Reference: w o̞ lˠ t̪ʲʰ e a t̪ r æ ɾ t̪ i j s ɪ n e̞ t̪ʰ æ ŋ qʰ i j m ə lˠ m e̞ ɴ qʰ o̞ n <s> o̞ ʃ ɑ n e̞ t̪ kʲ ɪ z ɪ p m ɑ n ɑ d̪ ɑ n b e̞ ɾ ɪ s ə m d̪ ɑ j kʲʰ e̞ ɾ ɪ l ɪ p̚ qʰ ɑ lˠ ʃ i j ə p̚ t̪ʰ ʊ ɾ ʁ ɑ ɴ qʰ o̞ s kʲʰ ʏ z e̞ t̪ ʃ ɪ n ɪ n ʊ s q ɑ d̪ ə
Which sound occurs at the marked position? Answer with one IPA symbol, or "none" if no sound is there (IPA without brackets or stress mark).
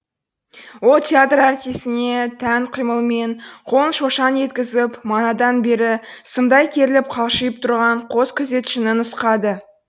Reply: ʃ